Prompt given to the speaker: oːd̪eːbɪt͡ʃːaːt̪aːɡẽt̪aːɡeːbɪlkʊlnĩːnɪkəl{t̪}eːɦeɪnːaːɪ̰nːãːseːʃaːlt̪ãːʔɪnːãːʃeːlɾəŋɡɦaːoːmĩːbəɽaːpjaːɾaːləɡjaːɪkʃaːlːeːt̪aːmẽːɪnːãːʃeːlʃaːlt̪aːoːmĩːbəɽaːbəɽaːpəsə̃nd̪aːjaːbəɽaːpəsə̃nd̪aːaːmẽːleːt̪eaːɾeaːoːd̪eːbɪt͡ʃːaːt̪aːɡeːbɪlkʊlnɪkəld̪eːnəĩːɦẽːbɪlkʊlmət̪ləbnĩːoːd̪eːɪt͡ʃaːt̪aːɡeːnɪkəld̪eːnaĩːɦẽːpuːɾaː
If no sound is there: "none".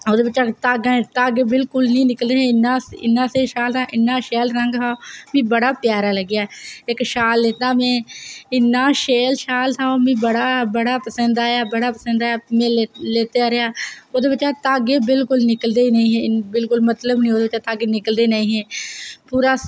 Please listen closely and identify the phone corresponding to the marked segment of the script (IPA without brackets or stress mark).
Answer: d̪